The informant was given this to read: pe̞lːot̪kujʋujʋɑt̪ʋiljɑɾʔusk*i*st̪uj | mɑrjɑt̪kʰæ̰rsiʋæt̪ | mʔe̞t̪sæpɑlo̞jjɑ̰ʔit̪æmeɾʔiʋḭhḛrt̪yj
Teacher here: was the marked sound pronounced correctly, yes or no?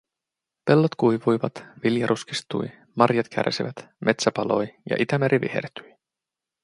yes